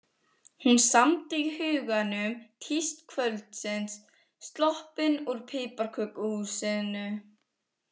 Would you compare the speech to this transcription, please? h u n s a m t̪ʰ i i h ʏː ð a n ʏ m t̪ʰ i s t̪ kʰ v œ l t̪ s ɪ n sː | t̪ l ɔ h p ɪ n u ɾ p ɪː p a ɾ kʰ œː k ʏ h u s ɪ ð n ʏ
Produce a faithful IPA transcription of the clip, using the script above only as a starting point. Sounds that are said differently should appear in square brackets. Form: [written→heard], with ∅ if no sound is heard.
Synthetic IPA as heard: h u n s a m [t̪ʰ→t̪] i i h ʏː [ð→ɣ] a n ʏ m t̪ʰ i s t̪ kʰ v œ l t̪ s ɪ n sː | t̪ l ɔ h p ɪ n u ɾ [p→pʰ] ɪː p a ɾ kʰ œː k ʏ h u s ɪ ð n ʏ